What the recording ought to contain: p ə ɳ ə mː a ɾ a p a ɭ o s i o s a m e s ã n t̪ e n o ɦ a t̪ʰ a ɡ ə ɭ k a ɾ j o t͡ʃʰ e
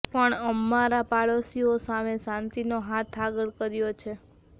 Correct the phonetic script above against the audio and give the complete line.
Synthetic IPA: p ə ɳ ə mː a ɾ a p a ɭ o s i o s a m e s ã n t̪ i n o ɦ a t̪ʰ a ɡ ə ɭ k ə ɾ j o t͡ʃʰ e